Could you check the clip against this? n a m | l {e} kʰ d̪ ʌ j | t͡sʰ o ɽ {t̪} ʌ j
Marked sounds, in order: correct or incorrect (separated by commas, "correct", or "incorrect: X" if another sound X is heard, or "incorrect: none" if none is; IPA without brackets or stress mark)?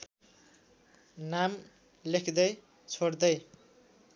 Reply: correct, incorrect: d̪